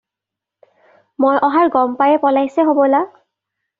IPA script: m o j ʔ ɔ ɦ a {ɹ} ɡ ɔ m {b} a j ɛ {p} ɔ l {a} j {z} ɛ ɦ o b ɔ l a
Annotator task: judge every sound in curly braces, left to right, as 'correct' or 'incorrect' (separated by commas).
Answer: correct, incorrect, correct, correct, incorrect